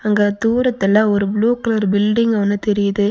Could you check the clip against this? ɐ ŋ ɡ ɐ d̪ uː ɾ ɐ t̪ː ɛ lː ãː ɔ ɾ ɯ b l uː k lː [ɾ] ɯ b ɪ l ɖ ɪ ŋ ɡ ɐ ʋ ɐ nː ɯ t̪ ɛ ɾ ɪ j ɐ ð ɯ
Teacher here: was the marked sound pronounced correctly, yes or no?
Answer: yes